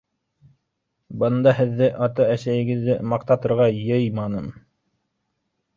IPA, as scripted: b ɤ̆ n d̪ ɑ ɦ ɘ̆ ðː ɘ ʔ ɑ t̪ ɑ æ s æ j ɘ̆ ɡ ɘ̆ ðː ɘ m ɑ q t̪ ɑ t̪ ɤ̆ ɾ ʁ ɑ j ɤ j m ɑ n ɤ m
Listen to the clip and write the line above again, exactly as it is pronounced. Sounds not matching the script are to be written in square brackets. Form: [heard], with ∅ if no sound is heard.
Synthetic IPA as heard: b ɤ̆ n d̪ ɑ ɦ ɘ̆ ðː ɘ ʔ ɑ t̪ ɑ æ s æ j ɘ̆ ɡ ɘ̆ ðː ɘ m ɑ q t̪ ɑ t̪ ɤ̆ ɾ ʁ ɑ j ɤ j m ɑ n ɤ m